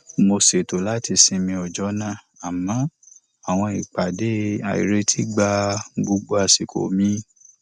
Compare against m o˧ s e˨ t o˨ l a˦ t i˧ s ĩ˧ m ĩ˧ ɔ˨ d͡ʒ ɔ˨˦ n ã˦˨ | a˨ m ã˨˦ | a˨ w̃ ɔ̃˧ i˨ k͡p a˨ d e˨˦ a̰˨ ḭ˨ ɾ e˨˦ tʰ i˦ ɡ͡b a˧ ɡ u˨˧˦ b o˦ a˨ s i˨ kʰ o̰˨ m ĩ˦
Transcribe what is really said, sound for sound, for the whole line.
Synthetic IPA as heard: m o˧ s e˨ t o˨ l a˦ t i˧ s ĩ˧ m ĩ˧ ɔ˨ d͡ʒ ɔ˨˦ n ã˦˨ | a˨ m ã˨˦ | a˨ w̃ ɔ̃˧ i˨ k͡p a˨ d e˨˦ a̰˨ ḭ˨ ɾ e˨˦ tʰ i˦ ɡ͡b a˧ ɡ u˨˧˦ ɡ͡b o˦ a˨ s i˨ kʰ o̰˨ m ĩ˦